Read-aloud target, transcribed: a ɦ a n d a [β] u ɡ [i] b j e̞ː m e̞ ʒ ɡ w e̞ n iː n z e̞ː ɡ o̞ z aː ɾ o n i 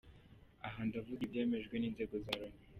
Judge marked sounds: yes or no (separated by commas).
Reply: no, yes